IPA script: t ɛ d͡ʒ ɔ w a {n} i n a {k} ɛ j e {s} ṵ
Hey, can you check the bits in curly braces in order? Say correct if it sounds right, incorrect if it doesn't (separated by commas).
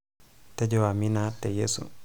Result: incorrect, incorrect, correct